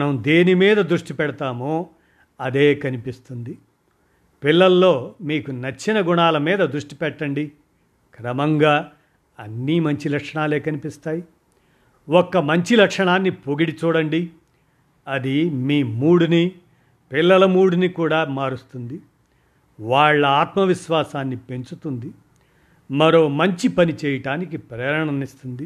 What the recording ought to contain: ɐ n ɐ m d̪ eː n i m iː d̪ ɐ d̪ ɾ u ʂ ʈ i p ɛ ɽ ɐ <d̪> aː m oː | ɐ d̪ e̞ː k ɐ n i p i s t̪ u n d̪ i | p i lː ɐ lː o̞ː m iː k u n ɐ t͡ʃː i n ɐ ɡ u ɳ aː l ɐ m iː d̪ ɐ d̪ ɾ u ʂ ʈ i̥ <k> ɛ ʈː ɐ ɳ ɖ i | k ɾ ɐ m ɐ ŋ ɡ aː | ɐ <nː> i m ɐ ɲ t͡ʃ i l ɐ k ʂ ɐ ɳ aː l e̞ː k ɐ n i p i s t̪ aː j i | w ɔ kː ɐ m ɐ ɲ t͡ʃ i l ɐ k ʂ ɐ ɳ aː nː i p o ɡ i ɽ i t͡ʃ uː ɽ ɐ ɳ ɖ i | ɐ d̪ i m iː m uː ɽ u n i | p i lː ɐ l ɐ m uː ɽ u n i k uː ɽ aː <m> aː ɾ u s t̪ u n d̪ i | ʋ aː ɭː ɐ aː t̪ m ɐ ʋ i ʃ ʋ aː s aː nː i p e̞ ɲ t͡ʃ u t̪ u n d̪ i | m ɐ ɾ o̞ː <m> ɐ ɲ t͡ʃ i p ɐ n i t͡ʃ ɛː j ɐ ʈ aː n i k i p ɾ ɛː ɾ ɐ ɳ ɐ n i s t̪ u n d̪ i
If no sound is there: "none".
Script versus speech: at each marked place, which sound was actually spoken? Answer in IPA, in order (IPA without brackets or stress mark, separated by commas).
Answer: t̪, p, nː, m, m